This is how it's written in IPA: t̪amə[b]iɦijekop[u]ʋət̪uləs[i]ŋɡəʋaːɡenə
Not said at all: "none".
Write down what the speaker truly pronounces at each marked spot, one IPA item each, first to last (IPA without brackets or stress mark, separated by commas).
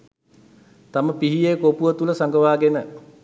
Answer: p, u, a